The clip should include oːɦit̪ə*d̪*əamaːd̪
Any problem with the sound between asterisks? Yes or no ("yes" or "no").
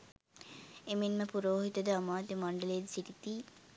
no